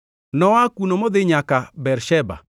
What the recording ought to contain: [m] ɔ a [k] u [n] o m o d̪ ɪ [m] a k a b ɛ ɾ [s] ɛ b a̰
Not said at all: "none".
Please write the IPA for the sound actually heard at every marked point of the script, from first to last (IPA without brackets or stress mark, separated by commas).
n, k, n, ɲ, ʃ